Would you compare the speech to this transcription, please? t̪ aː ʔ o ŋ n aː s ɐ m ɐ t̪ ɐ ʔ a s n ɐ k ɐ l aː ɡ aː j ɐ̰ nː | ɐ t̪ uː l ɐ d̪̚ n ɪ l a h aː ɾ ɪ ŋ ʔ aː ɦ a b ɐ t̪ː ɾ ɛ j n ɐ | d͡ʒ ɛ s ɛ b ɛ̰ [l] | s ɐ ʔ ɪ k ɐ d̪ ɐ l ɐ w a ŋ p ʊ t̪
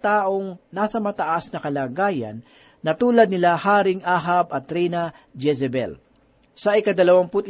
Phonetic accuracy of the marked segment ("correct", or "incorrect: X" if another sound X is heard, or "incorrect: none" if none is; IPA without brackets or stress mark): correct